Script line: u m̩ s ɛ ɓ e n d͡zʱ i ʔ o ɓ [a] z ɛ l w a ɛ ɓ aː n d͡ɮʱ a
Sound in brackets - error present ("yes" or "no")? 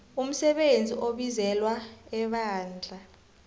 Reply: yes